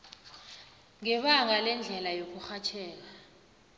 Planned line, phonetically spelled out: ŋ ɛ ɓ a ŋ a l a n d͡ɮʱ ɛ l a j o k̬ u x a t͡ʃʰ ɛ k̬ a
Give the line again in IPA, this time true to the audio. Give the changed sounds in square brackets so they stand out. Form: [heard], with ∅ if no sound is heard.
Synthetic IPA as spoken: ŋ ɛ ɓ a ŋ a l [ɛ] n d͡ɮʱ ɛ l a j o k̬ u x a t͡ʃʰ [ɛː] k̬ a